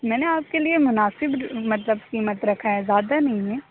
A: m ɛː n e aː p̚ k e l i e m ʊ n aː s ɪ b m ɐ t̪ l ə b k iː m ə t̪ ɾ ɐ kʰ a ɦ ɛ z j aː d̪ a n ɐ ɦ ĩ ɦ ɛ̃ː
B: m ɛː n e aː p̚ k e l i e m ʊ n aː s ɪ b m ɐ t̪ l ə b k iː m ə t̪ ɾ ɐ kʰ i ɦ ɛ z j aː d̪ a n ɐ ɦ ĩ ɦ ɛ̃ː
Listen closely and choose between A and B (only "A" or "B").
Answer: A